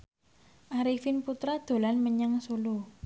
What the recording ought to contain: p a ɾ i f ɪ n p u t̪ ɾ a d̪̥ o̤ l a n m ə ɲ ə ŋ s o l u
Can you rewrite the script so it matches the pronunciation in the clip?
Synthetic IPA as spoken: ʔ a ɾ i f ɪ n p u t̪ ɾ a d̪̥ o̤ l a n m ə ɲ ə ŋ s u l u